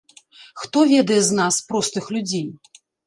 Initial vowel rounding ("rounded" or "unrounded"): rounded